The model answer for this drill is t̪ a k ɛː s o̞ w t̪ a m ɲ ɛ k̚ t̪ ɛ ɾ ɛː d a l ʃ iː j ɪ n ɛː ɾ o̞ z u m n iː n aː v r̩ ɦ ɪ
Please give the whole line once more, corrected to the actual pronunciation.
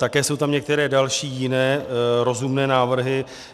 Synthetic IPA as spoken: t̪ a k ɛː s o̞ w t̪ a m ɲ ɛ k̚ t̪ ɛ ɾ ɛː d a l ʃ iː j ɪ n ɛː ɾ o̞ z u m n ɛː n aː v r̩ ɦ ɪ